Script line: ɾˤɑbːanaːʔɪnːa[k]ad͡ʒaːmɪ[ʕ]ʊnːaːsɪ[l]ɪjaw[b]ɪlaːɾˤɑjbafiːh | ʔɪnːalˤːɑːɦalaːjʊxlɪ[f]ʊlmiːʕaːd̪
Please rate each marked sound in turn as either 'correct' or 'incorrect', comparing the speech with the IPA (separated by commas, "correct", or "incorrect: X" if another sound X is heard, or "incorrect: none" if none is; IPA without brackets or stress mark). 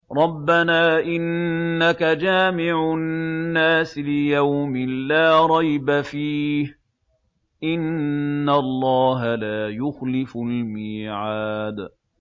correct, correct, correct, incorrect: m, correct